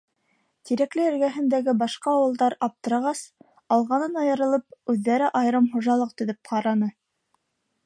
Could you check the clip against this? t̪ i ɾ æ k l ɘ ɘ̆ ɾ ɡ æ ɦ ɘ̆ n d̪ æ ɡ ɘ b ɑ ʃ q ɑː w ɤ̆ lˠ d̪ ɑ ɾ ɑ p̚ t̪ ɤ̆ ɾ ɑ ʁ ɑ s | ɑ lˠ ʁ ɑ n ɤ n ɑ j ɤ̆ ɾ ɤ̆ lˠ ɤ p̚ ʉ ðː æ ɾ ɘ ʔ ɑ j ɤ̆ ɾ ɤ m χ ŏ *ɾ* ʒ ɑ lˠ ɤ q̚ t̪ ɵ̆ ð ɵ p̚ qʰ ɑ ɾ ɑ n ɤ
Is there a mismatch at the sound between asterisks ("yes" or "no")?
yes